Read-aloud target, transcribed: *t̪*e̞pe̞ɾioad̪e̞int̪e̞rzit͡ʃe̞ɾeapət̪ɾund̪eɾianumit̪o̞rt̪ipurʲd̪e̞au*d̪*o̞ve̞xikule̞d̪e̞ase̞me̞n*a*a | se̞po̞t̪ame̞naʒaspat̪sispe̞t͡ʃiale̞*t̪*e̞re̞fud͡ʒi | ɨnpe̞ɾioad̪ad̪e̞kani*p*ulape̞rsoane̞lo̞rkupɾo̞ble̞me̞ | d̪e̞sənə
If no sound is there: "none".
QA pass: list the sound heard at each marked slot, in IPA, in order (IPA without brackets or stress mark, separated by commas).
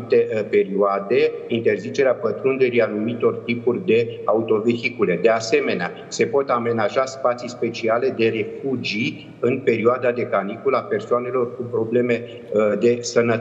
t̪, t̪, e, d̪, k